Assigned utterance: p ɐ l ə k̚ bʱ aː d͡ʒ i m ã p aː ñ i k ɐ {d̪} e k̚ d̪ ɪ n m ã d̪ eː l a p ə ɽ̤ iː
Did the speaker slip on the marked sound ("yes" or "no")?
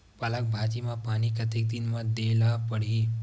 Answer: yes